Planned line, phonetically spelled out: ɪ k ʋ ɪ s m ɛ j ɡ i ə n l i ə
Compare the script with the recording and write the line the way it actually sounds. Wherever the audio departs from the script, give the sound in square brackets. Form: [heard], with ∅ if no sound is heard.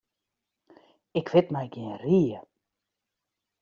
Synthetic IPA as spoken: ɪ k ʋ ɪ [t] m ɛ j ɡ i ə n [r] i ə